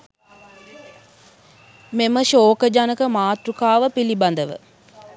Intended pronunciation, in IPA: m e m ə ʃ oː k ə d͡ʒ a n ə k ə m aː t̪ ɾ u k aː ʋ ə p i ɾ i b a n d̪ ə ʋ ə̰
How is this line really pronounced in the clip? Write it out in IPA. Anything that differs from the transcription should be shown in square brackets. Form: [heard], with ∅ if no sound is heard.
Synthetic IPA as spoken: m e m ə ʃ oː k ə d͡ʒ a n ə k ə m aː t̪ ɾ u k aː ʋ ə p i [l] i b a n d̪ ə ʋ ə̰